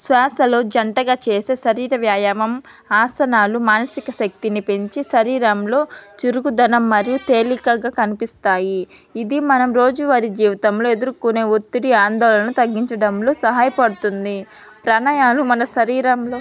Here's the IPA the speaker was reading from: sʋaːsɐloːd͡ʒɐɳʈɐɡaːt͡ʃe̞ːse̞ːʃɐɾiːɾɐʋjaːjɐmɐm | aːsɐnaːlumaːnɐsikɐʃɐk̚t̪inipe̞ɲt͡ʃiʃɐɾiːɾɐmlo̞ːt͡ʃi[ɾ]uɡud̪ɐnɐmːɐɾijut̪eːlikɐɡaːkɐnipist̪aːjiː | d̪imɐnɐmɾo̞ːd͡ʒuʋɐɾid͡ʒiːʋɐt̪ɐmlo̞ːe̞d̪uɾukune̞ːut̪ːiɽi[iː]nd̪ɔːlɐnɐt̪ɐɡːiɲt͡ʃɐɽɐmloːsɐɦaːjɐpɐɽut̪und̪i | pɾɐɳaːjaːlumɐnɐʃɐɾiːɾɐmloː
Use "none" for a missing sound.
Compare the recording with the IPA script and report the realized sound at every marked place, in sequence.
ɾ, aː

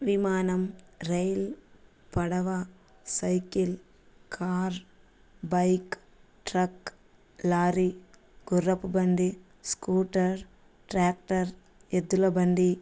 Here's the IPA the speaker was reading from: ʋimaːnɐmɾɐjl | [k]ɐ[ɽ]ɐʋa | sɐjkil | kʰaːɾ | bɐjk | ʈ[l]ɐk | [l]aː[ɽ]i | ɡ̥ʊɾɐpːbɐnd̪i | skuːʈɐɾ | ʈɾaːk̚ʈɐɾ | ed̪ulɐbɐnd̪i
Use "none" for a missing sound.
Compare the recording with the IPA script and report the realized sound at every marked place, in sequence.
p, ɽ, ɾ, l, ɾ

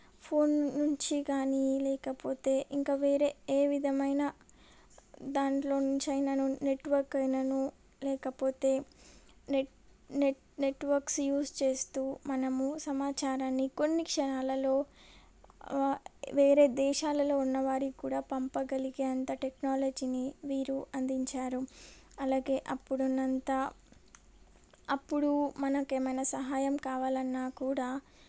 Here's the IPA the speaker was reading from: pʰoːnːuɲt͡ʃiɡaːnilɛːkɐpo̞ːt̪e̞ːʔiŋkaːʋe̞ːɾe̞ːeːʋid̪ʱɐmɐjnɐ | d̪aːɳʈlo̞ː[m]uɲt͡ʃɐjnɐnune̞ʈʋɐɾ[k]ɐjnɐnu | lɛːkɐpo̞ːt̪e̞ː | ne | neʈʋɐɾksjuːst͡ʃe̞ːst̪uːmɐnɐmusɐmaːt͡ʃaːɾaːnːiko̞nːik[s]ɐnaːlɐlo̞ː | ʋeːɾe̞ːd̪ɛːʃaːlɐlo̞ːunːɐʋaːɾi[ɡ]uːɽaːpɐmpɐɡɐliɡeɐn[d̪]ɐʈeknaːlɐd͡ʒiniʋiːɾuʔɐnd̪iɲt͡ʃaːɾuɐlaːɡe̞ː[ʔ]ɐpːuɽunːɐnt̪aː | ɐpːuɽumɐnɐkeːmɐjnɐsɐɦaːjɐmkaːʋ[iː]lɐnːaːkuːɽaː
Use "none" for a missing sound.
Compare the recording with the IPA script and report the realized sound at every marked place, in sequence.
n, k, ʂ, k, t̪, ʔ, aː

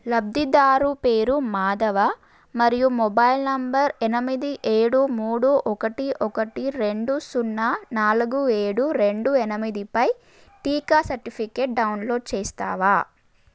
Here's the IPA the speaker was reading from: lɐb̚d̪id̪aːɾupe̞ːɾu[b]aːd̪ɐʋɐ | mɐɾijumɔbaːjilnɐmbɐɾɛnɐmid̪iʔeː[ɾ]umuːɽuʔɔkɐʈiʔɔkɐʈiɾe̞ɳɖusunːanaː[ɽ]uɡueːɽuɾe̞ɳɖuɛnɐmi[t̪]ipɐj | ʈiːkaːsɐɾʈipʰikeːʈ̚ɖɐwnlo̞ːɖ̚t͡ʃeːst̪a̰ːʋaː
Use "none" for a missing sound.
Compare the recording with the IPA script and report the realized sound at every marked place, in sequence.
m, ɽ, l, d̪

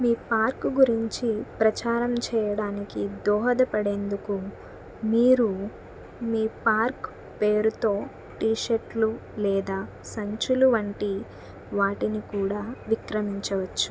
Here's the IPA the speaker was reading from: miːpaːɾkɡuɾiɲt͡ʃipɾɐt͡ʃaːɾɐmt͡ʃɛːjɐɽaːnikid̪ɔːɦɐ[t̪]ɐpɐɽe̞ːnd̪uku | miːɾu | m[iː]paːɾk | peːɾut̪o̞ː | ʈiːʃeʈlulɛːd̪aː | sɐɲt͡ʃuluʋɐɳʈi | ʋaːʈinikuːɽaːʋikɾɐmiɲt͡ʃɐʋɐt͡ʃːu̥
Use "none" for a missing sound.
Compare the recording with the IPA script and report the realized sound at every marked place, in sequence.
d̪, iː

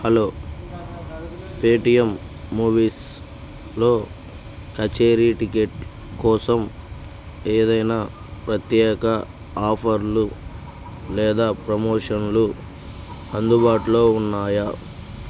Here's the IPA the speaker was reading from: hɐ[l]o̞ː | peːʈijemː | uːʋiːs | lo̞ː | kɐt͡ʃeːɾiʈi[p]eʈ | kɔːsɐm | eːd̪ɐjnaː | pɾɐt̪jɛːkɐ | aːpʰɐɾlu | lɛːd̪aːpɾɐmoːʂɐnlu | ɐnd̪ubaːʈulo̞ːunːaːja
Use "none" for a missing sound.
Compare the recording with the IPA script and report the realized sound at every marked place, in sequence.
l, k

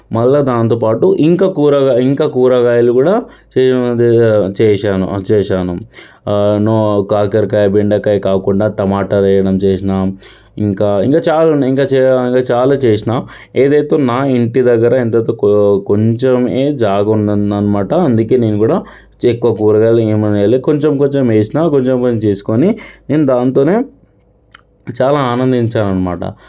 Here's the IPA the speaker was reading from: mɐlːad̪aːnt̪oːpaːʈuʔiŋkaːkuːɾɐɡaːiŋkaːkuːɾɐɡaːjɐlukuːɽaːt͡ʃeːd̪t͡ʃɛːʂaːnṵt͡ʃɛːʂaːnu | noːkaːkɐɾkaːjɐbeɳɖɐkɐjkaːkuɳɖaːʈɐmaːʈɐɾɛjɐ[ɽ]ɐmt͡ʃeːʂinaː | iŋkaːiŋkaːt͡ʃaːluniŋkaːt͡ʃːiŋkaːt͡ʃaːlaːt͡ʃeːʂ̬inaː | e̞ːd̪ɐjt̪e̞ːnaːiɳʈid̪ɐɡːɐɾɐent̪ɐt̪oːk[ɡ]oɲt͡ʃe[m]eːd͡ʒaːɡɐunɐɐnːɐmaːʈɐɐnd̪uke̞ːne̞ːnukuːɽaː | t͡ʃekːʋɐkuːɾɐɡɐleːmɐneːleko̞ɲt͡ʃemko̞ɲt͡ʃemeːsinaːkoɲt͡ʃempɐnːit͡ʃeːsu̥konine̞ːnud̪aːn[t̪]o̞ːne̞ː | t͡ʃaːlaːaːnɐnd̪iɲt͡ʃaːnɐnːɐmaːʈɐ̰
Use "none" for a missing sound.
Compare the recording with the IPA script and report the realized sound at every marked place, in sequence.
ɽ, k, m, t̪

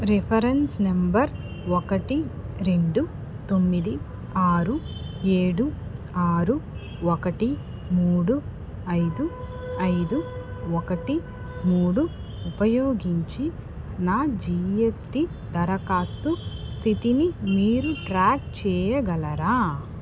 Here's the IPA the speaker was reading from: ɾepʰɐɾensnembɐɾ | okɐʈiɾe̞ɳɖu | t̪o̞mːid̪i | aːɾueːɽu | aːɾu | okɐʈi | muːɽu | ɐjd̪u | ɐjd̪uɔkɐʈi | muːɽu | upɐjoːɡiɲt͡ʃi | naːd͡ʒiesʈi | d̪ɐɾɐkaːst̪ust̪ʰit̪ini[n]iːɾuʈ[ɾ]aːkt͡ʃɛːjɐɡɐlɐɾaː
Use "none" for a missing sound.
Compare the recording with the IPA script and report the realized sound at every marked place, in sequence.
m, ɾ

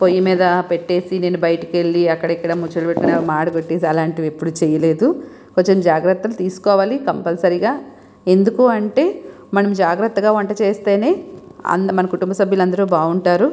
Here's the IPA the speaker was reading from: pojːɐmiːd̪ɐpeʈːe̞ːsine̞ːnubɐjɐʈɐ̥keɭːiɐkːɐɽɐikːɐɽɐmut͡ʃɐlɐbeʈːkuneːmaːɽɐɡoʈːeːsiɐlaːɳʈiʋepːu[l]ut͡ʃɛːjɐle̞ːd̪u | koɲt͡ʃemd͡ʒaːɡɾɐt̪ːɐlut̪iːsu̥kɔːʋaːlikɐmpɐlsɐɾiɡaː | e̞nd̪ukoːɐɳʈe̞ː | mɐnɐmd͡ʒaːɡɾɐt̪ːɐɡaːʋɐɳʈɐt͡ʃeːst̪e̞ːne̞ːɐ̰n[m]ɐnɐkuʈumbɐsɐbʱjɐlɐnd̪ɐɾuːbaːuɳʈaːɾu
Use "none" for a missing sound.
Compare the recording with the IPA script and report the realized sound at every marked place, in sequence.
ɽ, m

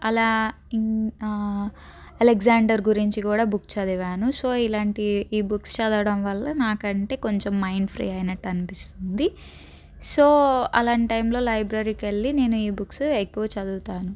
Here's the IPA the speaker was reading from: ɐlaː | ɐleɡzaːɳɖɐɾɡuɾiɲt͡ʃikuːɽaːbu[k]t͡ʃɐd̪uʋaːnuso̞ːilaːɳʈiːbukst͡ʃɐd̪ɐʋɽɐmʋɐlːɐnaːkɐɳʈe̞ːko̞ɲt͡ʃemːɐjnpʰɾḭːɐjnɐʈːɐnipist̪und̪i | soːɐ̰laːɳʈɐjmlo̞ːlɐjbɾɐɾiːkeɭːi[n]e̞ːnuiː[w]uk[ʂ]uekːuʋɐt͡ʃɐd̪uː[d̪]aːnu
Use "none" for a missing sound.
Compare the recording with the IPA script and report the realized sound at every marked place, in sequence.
k, n, b, s, t̪

